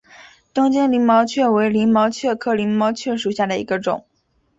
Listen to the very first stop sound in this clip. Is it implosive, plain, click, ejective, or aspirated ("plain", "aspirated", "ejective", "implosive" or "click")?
plain